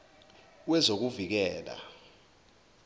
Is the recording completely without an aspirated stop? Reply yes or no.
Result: yes